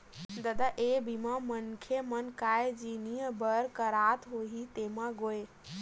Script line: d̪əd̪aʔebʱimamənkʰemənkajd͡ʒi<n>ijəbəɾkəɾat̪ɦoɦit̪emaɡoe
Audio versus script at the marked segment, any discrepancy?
no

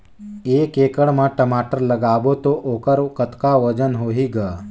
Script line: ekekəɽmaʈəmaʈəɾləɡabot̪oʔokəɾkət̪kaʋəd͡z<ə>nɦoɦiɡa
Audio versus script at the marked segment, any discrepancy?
no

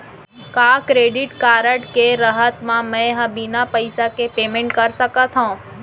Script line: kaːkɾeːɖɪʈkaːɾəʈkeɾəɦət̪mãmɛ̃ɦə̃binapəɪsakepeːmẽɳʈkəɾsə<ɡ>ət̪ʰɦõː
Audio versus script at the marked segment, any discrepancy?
yes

